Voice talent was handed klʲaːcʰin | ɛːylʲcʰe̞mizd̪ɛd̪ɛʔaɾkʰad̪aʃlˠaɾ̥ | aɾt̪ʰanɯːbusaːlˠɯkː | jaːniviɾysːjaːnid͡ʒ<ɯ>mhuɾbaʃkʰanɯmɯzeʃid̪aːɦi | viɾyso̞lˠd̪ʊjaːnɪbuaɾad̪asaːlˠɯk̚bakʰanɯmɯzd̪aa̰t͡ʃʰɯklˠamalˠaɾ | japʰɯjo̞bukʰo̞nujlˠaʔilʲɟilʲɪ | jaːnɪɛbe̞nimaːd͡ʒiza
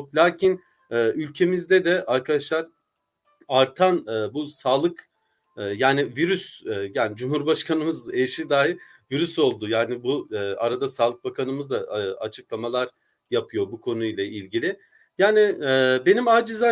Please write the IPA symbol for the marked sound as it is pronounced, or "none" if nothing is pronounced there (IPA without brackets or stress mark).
u